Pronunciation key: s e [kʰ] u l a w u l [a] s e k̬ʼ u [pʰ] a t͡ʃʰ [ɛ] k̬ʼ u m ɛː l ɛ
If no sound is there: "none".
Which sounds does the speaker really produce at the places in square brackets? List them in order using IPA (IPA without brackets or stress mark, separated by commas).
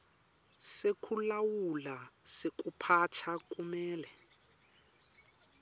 kʰ, a, pʰ, a